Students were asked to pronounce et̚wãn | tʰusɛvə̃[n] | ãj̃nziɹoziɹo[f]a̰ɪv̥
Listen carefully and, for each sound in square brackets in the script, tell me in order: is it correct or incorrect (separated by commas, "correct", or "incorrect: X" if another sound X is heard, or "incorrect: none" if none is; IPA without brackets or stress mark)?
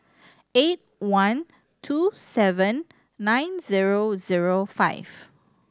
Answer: incorrect: nː, correct